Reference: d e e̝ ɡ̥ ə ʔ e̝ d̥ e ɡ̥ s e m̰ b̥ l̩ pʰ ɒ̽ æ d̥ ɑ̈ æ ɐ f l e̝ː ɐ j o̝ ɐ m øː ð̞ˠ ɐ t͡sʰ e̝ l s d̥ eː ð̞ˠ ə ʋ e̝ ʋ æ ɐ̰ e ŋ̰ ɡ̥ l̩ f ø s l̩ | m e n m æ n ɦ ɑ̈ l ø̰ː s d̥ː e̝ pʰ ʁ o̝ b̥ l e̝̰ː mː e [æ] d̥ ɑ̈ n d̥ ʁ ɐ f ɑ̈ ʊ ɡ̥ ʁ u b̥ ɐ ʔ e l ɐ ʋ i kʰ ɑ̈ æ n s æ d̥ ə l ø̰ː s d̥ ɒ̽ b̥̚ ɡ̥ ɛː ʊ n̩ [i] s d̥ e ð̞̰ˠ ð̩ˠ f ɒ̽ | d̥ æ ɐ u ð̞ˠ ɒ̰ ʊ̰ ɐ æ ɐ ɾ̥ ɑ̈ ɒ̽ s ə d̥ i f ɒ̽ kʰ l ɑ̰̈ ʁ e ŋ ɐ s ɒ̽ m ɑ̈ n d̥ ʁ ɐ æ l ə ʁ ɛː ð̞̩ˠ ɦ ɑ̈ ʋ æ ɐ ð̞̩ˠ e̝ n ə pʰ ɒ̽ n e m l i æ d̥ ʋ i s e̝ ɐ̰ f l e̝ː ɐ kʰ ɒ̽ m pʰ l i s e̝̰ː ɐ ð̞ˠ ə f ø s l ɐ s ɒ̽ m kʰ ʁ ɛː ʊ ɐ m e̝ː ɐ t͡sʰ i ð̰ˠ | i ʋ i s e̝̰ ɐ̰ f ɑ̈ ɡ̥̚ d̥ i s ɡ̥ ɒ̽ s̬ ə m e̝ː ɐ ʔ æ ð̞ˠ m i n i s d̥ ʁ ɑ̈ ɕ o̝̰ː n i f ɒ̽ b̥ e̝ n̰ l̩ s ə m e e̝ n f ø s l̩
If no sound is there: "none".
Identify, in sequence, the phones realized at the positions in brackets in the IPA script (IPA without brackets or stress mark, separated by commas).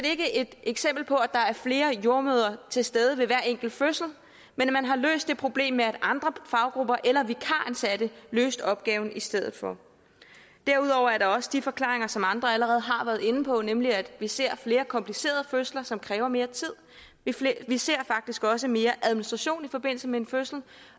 æ, i